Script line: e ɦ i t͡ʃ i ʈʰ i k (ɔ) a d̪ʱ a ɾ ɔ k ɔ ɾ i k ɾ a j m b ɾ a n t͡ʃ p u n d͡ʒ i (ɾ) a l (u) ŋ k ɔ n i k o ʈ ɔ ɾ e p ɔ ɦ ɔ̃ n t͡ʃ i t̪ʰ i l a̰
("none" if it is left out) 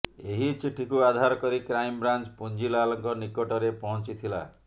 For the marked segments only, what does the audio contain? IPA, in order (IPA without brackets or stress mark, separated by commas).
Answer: u, l, ɔ